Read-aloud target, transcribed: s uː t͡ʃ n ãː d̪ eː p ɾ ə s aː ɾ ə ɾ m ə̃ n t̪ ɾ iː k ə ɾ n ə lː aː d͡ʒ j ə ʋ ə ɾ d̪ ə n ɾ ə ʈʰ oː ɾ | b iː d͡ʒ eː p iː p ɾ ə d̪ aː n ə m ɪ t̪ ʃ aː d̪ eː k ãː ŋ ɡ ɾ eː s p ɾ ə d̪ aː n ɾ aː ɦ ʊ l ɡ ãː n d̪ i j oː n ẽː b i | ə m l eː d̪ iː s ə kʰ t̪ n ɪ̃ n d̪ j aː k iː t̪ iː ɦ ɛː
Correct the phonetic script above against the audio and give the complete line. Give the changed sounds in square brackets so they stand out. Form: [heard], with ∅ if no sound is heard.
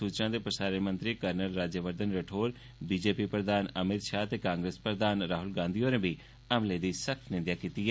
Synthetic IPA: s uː t͡ʃ n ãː d̪ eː p ɾ ə s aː ɾ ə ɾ m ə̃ n t̪ ɾ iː k ə ɾ n ə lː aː d͡ʒ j ə ʋ ə ɾ d̪ ə n ɾ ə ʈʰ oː ɾ | b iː d͡ʒ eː p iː p ɾ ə d̪ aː n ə m ɪ t̪ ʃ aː [t̪] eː k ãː ŋ ɡ ɾ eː s p ɾ ə d̪ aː n ɾ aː ɦ ʊ l ɡ ãː n d̪ i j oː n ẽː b i | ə m l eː d̪ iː s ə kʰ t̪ n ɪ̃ n d̪ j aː k iː t̪ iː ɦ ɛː